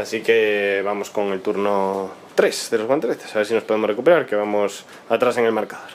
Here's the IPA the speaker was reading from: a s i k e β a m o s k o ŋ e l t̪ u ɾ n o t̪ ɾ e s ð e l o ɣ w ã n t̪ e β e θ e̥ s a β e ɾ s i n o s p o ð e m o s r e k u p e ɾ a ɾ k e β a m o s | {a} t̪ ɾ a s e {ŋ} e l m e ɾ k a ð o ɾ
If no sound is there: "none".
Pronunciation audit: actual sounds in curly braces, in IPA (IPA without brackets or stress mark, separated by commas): a, ŋ